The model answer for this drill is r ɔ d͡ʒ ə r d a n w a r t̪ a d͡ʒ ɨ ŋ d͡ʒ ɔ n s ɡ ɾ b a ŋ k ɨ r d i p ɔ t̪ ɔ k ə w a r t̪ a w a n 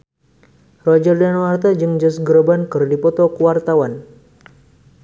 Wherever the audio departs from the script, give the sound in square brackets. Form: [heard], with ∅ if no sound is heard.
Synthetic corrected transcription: r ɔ d͡ʒ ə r d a n w a r t̪ a d͡ʒ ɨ ŋ d͡ʒ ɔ [∅] s ɡ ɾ b a [n] k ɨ r d i p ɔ t̪ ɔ k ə w a r t̪ a w a n